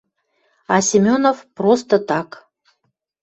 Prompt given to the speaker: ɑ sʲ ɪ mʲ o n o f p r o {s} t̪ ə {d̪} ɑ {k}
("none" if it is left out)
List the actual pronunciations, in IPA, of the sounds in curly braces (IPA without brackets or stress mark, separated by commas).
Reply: s, t̪, k